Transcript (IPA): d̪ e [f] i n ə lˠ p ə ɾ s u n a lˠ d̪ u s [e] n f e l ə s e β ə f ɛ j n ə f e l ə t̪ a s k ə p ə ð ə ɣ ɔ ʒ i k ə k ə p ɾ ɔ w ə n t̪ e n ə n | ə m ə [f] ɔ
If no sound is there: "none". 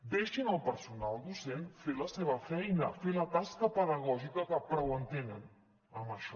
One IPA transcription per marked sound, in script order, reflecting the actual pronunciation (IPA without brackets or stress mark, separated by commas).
ʃ, e, ʃ